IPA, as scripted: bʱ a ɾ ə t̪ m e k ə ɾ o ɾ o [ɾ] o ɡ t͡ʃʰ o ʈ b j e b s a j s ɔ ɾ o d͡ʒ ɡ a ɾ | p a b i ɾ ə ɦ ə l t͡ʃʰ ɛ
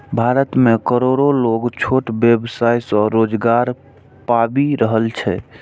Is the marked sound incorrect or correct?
incorrect